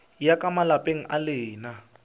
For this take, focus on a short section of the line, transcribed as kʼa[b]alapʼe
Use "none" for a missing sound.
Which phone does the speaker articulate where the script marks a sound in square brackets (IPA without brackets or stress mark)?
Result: m